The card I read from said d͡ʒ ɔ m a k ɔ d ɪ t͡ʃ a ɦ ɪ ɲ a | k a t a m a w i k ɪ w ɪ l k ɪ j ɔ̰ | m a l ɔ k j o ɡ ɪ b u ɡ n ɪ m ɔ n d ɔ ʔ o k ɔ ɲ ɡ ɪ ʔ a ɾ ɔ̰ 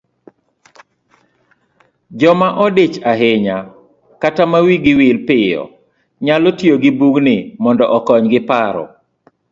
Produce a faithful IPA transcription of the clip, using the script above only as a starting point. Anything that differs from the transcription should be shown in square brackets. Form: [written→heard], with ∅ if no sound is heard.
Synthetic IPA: d͡ʒ ɔ m a [k→ʔ] ɔ d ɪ t͡ʃ a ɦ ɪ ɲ a | k a t a m a w i [k→ɡ] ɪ w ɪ l [k→p] ɪ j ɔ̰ | [m→ɲ] a l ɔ [k→t] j o ɡ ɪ b u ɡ n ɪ m ɔ n d ɔ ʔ [o→ɔ] k ɔ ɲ ɡ ɪ [ʔ→p] a ɾ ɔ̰